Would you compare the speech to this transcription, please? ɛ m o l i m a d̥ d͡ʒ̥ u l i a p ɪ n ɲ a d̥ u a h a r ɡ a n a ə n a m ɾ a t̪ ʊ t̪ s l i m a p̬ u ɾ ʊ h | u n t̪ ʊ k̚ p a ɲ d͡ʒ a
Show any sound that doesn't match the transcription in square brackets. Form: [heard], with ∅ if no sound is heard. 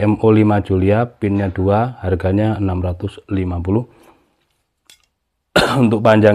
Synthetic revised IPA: ɛ m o l i m a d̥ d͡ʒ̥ u l i a p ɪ n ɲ a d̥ u a h a r ɡ a [ɲ] a ə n a m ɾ a t̪ ʊ [∅] s l i m a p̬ u [l] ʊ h | u n t̪ ʊ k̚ p a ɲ d͡ʒ a